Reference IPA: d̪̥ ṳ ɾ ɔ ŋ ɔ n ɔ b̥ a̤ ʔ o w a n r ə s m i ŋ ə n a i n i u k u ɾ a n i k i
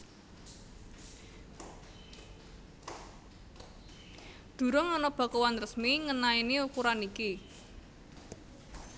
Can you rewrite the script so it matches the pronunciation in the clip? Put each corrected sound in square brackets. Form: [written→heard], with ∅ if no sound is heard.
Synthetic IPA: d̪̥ ṳ ɾ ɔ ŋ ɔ n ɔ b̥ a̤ [ʔ→k] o w a n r ə s m i ŋ ə n a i n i u k u ɾ a n i k i